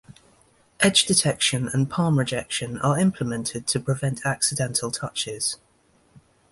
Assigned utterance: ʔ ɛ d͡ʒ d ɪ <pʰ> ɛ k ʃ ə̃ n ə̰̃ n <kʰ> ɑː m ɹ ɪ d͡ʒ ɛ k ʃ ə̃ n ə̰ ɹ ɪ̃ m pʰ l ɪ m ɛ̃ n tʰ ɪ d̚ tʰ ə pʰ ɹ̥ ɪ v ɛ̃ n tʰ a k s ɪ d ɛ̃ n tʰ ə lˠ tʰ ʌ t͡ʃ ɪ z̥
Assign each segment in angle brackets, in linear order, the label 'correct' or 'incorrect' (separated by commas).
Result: incorrect, incorrect